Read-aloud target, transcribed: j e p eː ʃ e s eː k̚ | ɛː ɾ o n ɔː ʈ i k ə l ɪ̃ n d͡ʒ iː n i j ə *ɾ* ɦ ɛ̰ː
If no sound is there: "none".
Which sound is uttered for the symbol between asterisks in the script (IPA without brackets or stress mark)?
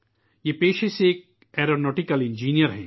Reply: ɾ